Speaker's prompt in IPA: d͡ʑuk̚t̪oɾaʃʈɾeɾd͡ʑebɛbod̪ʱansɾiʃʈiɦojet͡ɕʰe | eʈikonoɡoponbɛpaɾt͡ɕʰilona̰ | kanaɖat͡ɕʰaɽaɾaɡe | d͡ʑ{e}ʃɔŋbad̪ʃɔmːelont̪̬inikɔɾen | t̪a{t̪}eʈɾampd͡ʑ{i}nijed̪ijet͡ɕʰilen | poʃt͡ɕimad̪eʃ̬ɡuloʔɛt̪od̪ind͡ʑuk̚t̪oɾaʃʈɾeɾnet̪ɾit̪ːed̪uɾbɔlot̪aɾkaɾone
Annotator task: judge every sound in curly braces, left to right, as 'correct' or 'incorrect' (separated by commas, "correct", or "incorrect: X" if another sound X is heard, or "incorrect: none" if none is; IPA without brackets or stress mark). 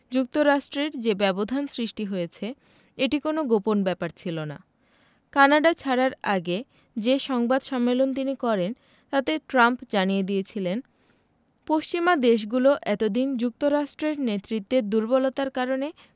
correct, correct, incorrect: a